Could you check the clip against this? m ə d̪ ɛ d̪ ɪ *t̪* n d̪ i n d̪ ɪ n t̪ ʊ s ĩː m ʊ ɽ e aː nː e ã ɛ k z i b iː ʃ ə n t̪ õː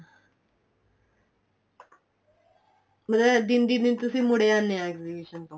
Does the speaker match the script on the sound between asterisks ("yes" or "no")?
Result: no